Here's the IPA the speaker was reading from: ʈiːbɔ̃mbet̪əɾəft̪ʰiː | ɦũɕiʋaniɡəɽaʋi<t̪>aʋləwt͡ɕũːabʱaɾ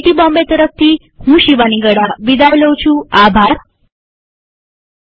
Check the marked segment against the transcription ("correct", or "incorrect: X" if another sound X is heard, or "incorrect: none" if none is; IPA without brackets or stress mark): incorrect: d̪